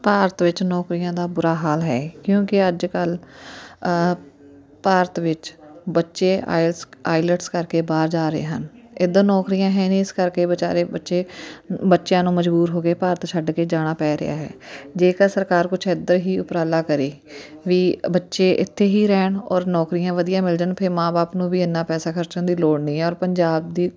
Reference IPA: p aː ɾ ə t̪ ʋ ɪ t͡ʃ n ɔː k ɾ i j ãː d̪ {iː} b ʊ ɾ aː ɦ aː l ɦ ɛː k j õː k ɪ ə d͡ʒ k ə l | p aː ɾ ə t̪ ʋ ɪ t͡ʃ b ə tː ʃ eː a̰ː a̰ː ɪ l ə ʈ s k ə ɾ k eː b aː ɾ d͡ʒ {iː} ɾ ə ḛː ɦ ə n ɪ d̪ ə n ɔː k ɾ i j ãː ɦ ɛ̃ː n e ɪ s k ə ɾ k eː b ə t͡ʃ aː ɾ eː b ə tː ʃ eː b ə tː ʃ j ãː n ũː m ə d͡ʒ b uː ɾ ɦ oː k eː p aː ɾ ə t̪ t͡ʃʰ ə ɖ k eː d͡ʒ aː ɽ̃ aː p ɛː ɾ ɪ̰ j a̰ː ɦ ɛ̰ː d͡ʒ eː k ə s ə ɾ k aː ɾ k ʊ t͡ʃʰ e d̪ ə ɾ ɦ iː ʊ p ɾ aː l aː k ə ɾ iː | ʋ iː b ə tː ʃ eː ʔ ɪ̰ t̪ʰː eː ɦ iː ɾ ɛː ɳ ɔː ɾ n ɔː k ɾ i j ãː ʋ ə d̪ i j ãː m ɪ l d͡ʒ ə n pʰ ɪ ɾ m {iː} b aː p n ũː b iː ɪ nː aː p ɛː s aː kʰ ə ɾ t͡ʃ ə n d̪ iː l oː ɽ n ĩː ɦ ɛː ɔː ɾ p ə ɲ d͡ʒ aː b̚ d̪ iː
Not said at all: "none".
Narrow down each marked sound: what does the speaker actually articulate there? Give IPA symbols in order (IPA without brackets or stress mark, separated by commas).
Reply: aː, aː, aː